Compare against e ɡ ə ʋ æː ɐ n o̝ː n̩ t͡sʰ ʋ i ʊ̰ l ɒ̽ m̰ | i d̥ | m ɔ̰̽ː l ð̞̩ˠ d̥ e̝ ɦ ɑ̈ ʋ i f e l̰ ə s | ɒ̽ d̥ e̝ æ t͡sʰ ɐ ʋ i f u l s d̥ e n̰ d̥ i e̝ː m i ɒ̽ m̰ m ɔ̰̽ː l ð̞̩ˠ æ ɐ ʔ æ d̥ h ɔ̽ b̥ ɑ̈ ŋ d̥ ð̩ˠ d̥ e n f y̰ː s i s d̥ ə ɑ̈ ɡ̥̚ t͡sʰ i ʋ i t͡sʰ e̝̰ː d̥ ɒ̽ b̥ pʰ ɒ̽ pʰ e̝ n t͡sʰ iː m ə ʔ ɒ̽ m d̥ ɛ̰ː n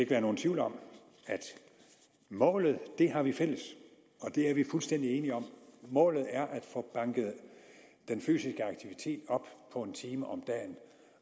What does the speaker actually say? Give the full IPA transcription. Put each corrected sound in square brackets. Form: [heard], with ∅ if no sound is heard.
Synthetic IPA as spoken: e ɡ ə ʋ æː ɐ n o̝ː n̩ t͡sʰ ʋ i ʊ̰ l ɒ̽ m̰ | [æ] d̥ | m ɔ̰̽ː l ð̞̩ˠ d̥ e̝ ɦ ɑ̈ ʋ i f e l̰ ə s | ɒ̽ d̥ e̝ æ [∅] ɐ ʋ i f u l s d̥ e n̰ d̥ i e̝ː [n] i ɒ̽ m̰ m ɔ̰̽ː l ð̞̩ˠ æ ɐ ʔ æ d̥ [f] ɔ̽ b̥ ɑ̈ ŋ [ɡ̥] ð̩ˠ d̥ e n f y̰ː s i s [ɡ̥] ə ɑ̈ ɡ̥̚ t͡sʰ i ʋ i t͡sʰ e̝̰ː d̥ ɒ̽ b̥ pʰ ɒ̽ [∅] e̝ n t͡sʰ iː m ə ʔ ɒ̽ m d̥ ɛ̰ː n